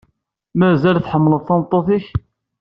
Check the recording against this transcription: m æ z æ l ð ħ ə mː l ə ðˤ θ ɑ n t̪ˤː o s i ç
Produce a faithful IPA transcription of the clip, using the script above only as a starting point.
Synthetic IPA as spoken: m æ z æ l θ ħ ə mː l ə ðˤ θ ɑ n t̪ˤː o θ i ç